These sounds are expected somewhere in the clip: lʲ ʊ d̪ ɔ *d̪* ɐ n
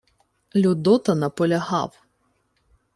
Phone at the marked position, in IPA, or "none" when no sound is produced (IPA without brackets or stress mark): t̪